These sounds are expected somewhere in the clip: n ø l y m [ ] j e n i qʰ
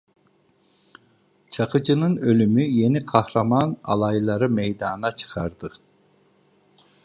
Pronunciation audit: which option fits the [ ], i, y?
y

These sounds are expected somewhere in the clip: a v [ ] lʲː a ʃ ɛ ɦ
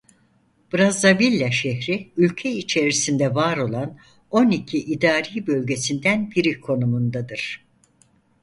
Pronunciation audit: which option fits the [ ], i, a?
i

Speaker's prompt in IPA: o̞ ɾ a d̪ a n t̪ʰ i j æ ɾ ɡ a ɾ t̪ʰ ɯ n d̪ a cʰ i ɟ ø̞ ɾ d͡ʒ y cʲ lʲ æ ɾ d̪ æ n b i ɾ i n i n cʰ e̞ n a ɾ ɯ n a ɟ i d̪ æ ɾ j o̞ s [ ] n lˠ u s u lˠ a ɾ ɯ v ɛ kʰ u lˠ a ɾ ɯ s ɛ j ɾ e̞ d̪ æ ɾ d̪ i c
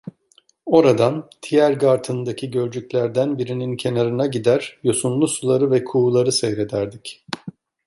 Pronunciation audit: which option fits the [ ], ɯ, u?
u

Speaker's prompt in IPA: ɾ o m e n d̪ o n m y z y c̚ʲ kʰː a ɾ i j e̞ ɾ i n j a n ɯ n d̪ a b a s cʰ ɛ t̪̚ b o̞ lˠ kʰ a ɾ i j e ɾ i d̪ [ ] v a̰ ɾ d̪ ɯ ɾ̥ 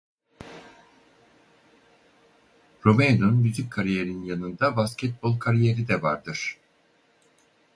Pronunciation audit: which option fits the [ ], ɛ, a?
ɛ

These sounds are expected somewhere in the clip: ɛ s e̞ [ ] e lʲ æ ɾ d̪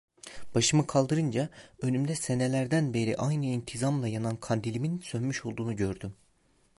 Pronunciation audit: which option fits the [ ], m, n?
n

